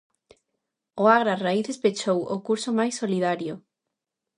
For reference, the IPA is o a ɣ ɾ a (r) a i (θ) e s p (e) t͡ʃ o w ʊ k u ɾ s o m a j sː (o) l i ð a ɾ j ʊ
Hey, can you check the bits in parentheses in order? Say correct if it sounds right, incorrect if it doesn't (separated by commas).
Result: correct, correct, correct, correct